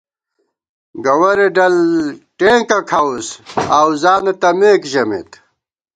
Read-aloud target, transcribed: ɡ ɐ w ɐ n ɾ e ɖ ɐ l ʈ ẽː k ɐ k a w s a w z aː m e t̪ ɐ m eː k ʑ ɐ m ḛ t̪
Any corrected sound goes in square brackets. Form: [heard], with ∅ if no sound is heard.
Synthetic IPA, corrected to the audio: ɡ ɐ w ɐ [∅] ɾ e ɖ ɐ l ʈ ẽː k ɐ [kʰ] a w s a w z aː [n] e t̪ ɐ m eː k ʑ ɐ m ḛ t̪